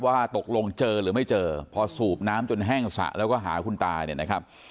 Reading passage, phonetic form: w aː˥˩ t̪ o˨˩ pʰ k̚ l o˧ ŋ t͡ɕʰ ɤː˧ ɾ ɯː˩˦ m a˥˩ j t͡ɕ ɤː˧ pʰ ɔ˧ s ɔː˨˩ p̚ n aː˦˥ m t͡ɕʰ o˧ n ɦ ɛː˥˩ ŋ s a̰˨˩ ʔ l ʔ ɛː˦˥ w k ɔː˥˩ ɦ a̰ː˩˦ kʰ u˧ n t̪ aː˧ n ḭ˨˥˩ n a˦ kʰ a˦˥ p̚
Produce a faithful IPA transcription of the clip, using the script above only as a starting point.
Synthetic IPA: w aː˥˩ t̪ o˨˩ k̚ l o˧ ŋ t͡ɕ ɤː˧ ɾ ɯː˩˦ m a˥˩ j t͡ɕ ɤː˧ pʰ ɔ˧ s uː˨˩ p̚ n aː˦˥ m t͡ɕ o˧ n ɦ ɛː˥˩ ŋ s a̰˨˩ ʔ l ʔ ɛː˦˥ w k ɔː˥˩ ɦ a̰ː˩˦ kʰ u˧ n t̪ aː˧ n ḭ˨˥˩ n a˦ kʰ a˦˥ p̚

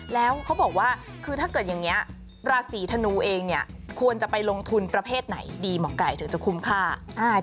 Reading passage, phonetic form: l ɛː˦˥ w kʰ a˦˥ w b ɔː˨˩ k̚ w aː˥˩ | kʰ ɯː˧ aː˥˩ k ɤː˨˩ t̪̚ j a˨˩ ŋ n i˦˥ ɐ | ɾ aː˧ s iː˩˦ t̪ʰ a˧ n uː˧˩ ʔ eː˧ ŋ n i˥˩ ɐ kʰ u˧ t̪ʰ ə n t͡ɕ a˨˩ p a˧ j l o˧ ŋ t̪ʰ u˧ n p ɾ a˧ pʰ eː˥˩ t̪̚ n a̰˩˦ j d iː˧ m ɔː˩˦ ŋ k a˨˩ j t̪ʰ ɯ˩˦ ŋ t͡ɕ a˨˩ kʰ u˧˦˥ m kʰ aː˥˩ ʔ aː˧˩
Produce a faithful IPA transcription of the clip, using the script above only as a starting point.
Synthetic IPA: l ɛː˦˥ w kʰ a˦˥ w b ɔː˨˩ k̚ w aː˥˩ | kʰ ɯː˧ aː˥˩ k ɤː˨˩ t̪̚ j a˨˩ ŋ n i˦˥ ɐ | ɾ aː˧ s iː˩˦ t̪ʰ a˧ n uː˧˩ ʔ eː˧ ŋ n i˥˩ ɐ kʰ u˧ ə n t͡ɕ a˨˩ p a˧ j l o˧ ŋ t̪ʰ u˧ n p ɾ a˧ pʰ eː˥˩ t̪̚ n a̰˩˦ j d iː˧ m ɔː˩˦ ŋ k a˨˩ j t̪ʰ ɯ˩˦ ŋ t͡ɕ a˨˩ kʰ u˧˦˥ m kʰ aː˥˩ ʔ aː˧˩

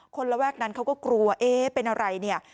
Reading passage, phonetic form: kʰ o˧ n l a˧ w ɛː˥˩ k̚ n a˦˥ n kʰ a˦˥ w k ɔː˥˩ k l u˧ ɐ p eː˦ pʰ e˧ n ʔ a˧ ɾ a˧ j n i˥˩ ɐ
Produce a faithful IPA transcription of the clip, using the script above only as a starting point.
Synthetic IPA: kʰ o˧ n l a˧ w ɛː˥˩ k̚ n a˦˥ n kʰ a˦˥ w k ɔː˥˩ k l u˧ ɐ ʔ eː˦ p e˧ n ʔ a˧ ɾ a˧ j n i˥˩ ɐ

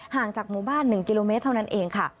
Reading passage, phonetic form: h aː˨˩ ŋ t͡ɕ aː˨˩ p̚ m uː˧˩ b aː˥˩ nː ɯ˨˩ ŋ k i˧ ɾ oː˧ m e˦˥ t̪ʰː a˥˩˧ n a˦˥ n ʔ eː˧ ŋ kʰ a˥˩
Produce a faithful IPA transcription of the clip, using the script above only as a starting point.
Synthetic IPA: h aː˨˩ ŋ t͡ɕ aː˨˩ k̚ m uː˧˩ b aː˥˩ nː ɯ˨˩ ŋ k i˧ l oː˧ m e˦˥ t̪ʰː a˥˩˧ n a˦˥ n ʔ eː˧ ŋ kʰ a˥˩

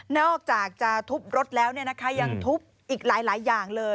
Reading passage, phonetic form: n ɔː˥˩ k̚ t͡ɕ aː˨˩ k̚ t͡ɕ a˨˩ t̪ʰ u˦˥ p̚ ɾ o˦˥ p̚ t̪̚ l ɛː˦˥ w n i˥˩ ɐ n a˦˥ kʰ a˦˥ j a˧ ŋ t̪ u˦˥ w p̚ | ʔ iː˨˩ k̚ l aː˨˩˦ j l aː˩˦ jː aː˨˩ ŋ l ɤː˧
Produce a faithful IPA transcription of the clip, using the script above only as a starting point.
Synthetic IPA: n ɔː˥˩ k̚ t͡ɕ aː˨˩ k̚ t͡ɕ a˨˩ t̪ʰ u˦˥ p̚ ɾ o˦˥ t̪̚ l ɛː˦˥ w n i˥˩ ɐ n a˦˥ kʰ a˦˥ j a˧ ŋ t̪ʰ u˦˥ p̚ | ʔ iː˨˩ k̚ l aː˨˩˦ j l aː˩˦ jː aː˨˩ ŋ l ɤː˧

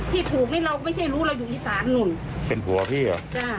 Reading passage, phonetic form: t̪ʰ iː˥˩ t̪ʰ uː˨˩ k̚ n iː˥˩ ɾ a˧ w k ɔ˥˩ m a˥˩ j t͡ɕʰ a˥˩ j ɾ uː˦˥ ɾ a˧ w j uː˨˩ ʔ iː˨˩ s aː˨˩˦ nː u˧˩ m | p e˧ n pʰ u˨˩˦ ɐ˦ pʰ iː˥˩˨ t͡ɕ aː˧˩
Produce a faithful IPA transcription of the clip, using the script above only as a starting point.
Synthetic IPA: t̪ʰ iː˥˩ t̪ʰ uː˨˩ k̚ n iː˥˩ ɾ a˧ w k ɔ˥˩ m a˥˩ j t͡ɕʰ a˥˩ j ɾ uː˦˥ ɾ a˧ w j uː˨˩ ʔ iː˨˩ s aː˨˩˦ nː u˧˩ n | p e˧ n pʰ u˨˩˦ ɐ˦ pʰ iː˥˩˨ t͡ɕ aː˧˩

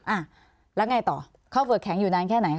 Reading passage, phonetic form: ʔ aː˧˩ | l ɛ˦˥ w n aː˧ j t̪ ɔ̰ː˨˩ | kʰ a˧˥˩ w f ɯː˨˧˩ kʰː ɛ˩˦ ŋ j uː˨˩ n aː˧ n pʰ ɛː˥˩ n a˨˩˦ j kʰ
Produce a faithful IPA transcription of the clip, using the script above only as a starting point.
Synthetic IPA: ʔ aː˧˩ | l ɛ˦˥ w ŋ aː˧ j t̪ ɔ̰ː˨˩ | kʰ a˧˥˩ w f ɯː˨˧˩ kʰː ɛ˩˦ ŋ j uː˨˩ n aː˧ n kʰ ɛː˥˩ n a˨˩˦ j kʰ

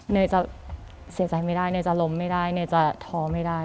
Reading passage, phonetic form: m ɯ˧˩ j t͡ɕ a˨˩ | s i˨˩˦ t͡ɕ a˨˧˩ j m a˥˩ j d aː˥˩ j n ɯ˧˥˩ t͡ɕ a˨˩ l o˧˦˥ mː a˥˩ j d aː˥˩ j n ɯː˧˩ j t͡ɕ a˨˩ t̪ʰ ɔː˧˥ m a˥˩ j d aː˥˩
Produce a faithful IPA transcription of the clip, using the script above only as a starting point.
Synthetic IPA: n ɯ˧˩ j t͡ɕ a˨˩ | s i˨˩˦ t͡ɕ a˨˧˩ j m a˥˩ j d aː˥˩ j n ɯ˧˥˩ t͡ɕ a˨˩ l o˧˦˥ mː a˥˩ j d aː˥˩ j n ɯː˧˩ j t͡ɕ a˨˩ t̪ʰ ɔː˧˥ m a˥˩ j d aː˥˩

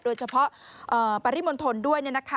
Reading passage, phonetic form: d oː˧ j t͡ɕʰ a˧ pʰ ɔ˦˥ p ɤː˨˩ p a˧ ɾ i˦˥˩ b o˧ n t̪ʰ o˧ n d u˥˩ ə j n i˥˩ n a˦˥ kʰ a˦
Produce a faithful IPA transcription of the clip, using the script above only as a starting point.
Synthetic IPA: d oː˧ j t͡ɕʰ a˧ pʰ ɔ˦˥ ʔ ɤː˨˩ p a˧ ɾ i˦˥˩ m o˧ n t̪ʰ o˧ n d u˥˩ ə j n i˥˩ n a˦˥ kʰ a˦

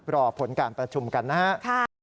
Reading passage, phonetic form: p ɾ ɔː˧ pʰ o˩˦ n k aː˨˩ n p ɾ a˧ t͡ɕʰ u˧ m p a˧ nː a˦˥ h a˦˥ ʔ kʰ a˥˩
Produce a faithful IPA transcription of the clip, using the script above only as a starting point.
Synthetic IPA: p ɾ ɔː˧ pʰ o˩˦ n k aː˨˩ n p ɾ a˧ t͡ɕʰ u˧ m k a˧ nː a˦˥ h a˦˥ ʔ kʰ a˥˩

